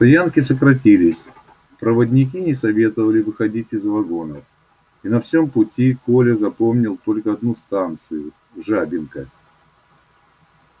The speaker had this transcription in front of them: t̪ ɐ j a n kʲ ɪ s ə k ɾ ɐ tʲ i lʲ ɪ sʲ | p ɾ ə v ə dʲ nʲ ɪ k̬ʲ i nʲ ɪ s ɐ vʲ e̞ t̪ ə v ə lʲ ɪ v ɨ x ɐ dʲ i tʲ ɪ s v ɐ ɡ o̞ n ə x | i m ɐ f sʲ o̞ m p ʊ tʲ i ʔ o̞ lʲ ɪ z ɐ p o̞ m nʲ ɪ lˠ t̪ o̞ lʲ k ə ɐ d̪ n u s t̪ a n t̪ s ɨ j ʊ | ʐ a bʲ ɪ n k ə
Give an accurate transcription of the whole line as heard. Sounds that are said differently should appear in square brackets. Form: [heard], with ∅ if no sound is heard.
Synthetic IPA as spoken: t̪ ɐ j a n kʲ ɪ s ə k ɾ ɐ tʲ i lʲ ɪ sʲ | p ɾ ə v ə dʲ nʲ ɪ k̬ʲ i nʲ ɪ s ɐ vʲ e̞ t̪ ə v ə lʲ ɪ v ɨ x ɐ dʲ i tʲ ɪ [z] v ɐ ɡ o̞ n ə [f] | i [n] ɐ f sʲ o̞ m p ʊ tʲ i [k] o̞ lʲ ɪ z ɐ p o̞ m nʲ ɪ lˠ t̪ o̞ lʲ k ə ɐ d̪ n u s t̪ a n t̪ s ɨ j ʊ | ʐ a bʲ ɪ n k ə